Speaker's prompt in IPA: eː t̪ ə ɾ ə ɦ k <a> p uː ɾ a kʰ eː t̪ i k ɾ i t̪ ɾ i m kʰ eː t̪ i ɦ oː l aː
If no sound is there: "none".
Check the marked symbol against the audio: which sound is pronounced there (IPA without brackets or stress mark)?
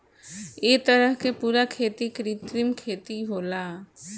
e